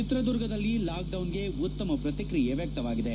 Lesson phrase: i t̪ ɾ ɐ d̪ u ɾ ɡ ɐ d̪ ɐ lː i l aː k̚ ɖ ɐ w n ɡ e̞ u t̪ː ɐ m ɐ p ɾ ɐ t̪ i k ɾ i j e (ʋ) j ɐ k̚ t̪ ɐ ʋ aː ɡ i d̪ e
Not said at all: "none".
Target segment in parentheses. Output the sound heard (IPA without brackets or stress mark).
ʋ